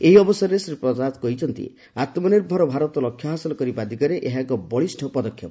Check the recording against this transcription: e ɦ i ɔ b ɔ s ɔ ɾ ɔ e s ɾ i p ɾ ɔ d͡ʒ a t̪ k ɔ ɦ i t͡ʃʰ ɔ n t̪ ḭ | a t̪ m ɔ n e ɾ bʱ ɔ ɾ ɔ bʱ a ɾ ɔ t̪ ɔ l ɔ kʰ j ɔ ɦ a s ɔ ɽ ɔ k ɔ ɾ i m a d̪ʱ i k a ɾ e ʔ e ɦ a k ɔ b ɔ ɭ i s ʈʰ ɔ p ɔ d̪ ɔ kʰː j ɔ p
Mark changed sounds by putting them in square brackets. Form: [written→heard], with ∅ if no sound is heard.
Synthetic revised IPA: e ɦ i ɔ b ɔ s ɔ ɾ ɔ e s ɾ i p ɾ ɔ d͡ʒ a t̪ k ɔ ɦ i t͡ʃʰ ɔ n t̪ ḭ | a t̪ m ɔ n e ɾ bʱ ɔ ɾ ɔ bʱ a ɾ ɔ t̪ ɔ l ɔ kʰ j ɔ ɦ a s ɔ [ɽ→l] ɔ k ɔ ɾ i [m→b] a d̪ʱ i k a ɾ e ʔ e ɦ a k ɔ b ɔ ɭ i s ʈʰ ɔ p ɔ d̪ ɔ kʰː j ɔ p

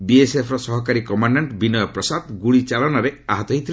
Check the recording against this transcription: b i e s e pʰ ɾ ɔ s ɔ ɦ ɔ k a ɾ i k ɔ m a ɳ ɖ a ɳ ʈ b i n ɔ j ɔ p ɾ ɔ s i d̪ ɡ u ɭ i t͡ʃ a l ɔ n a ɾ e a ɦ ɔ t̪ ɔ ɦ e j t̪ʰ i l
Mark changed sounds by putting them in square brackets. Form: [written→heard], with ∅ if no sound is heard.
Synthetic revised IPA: b i e s e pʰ ɾ ɔ s ɔ ɦ ɔ k a ɾ i k ɔ m a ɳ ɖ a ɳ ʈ b i n ɔ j ɔ p ɾ ɔ s [i→a] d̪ ɡ u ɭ i t͡ʃ a l ɔ n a ɾ e a ɦ ɔ t̪ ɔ ɦ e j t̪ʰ i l

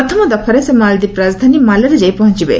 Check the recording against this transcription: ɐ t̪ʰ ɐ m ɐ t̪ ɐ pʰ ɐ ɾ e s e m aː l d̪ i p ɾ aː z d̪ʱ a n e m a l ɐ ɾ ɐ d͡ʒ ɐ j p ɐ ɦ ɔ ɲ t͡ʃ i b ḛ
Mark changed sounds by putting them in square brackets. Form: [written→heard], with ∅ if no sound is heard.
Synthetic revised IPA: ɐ t̪ʰ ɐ m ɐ [t̪→d̪] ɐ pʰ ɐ ɾ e s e m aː l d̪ i p ɾ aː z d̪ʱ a n [e→i] m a l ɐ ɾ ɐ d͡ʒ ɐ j p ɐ ɦ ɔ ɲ t͡ʃ i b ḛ

